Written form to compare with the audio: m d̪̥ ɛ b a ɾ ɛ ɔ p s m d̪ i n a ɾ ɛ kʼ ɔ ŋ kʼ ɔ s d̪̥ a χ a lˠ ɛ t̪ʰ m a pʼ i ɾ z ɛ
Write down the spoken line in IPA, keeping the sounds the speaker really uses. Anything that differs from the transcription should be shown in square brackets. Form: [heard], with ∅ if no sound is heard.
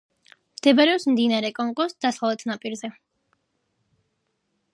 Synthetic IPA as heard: m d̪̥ ɛ b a ɾ ɛ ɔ p s m d̪ i n a ɾ ɛ kʼ ɔ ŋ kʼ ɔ s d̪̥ a [s] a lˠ ɛ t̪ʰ [n] a pʼ i ɾ z ɛ